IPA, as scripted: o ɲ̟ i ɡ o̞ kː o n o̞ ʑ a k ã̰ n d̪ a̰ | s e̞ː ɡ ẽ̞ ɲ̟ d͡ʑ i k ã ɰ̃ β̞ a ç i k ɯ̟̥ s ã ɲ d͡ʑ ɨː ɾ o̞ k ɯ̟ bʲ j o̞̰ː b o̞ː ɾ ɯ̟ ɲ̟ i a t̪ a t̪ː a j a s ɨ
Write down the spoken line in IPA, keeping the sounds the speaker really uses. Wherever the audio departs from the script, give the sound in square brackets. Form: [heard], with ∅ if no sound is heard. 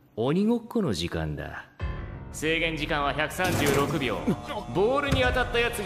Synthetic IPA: o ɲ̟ i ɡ o̞ kː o n o̞ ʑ [i] k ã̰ n d̪ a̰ | s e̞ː ɡ ẽ̞ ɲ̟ d͡ʑ i k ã ɰ̃ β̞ a ç [a] k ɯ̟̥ s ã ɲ d͡ʑ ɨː ɾ o̞ k ɯ̟ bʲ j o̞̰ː b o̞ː ɾ ɯ̟ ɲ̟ i a t̪ a t̪ː a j a [t͡s] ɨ